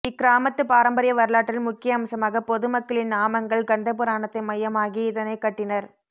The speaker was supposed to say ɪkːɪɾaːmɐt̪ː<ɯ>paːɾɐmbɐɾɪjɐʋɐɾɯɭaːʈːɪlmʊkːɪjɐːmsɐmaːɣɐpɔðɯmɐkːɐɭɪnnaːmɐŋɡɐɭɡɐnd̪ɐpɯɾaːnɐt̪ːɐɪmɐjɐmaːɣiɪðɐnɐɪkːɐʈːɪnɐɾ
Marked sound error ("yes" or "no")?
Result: no